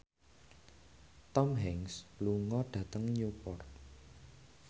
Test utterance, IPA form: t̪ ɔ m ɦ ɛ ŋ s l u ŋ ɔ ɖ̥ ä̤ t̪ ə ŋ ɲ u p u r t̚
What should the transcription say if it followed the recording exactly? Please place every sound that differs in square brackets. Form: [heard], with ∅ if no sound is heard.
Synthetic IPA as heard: t̪ ɔ m ɦ ɛ ŋ s l u ŋ ɔ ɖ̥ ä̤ t̪ ə ŋ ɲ u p [ɔ] r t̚